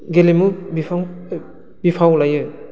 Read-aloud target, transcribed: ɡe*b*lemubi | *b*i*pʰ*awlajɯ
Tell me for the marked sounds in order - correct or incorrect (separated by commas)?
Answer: incorrect, correct, correct